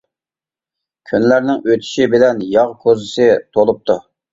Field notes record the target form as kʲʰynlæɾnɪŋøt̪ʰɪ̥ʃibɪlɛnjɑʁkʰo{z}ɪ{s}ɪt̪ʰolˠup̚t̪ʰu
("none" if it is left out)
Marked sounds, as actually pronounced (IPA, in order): z, s

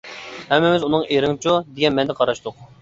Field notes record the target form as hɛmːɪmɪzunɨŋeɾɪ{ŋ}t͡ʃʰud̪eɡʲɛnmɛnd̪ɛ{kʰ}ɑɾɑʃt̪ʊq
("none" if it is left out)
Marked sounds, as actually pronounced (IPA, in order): ŋ, qʰ

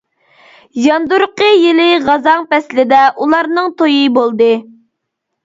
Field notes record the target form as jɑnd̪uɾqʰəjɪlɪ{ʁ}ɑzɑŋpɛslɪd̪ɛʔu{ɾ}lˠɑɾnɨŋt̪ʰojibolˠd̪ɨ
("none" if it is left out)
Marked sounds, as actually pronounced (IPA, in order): ʁ, none

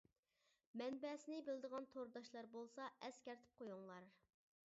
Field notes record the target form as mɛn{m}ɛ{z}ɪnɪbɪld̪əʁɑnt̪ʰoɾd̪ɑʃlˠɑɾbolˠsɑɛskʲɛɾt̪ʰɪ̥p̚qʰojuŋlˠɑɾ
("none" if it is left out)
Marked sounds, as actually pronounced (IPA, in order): b, s

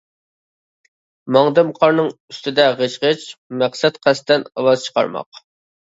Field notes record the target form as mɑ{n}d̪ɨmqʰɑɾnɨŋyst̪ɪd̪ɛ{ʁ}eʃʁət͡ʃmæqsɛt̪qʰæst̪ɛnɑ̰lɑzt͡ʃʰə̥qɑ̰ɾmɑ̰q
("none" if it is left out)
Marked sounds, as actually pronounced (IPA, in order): ŋ, ʁ

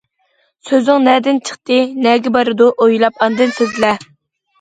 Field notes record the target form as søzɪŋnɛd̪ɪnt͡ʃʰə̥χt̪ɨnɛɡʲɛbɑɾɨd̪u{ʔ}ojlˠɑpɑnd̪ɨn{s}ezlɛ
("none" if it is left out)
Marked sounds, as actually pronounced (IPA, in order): ʔ, s

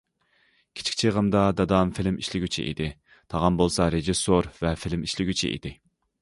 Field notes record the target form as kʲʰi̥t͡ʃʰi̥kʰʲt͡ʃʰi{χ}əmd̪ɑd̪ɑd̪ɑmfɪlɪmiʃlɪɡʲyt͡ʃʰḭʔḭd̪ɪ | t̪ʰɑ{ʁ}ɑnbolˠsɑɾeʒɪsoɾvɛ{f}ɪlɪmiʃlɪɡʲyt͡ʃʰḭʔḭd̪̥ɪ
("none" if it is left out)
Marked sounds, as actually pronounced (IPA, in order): ʁ, ʁ, f

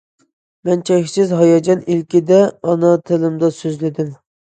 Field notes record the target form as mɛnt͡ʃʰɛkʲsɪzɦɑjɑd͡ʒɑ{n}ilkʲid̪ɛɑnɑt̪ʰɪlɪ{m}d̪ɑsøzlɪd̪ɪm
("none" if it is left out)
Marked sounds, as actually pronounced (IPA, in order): n, m

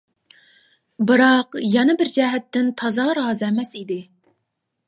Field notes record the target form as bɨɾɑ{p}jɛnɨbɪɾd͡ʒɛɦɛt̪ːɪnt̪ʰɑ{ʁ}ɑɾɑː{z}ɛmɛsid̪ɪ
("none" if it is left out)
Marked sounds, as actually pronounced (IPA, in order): q, z, z

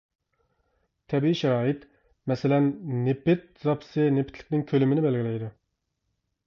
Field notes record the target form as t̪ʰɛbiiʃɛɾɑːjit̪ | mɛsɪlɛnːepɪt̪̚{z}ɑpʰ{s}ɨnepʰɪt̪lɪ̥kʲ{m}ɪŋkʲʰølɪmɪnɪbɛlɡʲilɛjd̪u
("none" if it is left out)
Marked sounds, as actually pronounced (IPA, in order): z, s, n

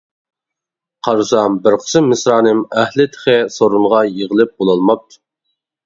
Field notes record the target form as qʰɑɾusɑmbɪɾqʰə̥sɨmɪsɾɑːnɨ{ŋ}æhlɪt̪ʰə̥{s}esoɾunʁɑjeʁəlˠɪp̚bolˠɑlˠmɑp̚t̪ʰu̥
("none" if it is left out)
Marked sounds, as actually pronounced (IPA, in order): m, χ

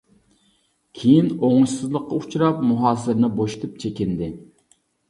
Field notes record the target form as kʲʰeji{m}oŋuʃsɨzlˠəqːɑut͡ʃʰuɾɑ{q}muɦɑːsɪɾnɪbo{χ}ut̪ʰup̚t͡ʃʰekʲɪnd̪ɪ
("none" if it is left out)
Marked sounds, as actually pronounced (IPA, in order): n, p, ʃ

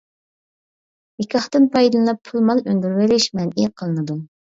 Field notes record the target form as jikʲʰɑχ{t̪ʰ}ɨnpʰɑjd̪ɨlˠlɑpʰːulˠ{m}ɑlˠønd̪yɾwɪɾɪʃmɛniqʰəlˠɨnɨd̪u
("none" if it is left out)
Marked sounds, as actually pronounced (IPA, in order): t̪, m

